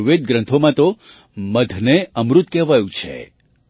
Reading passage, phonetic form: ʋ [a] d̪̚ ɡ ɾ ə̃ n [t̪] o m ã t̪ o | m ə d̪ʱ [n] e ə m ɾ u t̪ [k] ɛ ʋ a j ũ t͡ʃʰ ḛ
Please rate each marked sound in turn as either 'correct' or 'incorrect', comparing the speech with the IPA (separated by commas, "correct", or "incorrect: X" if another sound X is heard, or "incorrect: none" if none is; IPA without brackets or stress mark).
incorrect: e, incorrect: t̪ʰ, correct, correct